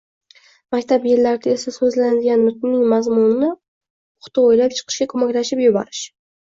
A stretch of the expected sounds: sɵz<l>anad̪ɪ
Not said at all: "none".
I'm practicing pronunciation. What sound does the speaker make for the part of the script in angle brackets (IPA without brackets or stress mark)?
l